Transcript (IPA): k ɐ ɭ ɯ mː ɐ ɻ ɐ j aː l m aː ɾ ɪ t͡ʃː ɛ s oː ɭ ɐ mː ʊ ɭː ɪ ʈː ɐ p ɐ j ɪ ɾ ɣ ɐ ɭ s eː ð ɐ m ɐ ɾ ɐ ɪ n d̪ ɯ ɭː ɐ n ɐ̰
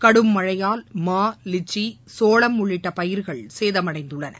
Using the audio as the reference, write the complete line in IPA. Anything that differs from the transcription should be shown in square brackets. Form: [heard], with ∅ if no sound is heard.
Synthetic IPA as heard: k ɐ [ɽ] ɯ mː ɐ ɻ ɐ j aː l m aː [l] ɪ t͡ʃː [i] s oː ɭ ɐ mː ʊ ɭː ɪ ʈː ɐ p ɐ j ɪ ɾ ɣ ɐ ɭ s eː ð ɐ m ɐ [ɽ] ɐ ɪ n d̪ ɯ ɭː ɐ n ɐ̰